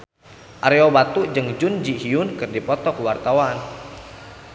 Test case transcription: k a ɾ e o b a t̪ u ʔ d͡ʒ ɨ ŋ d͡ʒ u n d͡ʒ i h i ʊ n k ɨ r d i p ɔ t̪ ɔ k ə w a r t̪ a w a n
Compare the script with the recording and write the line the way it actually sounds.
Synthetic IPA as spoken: ʔ a ɾ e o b a t̪ u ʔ d͡ʒ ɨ ŋ d͡ʒ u n d͡ʒ i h i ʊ n k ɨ r d i p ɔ t̪ ɔ k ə w a r t̪ a w a n